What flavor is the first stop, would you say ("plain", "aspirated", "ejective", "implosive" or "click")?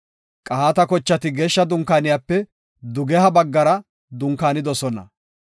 ejective